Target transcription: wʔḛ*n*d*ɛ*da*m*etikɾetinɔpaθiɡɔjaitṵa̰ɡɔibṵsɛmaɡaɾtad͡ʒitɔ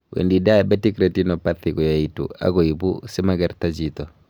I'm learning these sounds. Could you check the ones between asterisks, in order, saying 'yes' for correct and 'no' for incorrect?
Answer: yes, no, no

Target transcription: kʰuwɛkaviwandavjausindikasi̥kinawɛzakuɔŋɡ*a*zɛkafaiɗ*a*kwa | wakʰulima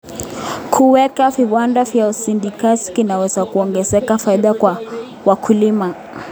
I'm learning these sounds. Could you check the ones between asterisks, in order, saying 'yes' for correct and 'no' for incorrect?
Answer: no, yes

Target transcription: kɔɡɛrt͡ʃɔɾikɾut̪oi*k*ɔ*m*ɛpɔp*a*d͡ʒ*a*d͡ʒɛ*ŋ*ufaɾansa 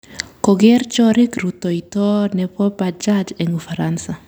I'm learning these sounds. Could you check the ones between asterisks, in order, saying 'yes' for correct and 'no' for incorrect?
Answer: no, no, yes, yes, yes

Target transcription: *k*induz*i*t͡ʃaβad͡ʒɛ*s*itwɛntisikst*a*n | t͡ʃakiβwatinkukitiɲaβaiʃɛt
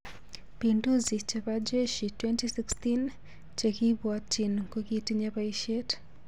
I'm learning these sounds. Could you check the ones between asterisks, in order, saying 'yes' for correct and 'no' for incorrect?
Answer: no, yes, no, no

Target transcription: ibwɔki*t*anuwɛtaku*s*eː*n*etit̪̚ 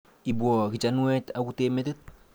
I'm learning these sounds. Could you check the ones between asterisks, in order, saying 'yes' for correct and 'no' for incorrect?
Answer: no, no, no

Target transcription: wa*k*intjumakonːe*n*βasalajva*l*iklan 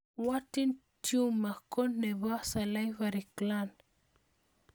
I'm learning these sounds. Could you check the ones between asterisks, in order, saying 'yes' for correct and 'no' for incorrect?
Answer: no, no, no

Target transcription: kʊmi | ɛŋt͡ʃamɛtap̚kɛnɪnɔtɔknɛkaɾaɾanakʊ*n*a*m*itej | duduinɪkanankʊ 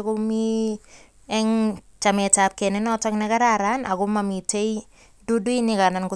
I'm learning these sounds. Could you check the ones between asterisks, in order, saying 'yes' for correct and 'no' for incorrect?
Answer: no, yes

